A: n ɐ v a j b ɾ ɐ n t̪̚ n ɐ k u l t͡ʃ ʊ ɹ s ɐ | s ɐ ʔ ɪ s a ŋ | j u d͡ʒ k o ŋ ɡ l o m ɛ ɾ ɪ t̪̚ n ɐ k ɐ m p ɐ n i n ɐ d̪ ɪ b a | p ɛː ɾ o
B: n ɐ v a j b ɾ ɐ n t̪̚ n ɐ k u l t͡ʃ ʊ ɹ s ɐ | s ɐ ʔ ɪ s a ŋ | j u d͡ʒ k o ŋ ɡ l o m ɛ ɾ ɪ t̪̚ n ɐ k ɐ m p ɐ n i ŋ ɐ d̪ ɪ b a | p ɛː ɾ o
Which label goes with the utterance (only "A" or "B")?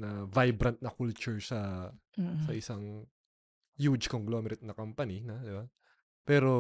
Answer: A